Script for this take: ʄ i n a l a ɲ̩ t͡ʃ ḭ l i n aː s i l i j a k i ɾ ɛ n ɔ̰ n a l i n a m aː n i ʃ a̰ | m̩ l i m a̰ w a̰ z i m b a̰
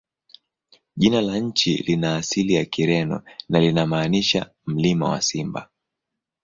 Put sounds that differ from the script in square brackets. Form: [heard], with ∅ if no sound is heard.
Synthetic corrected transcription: ʄ i n a l a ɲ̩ t͡ʃ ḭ l i n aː s i l i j a k i ɾ ɛ n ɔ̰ n a l i n a m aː n i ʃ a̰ | m̩ l i m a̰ w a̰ [s] i m b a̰